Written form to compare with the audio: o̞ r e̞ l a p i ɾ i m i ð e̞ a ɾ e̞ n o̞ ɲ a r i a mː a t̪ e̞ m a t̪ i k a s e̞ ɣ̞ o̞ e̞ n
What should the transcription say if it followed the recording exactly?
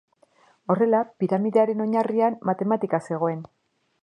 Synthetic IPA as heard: o̞ r e̞ l a p i ɾ a m i ð e̞ a ɾ e̞ n o̞ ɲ a r i a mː a t̪ e̞ m a t̪ i k a s e̞ ɣ̞ o̞ e̞ n